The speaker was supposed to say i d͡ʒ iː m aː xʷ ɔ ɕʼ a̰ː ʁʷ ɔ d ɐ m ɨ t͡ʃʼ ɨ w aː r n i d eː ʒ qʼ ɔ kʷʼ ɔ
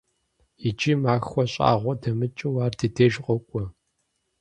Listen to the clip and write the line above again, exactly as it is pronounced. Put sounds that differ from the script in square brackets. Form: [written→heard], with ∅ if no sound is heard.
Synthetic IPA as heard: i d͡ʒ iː m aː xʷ ɔ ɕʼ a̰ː ʁʷ ɔ d ɐ m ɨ t͡ʃʼ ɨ w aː r [n→d] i d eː ʒ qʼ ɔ kʷʼ ɔ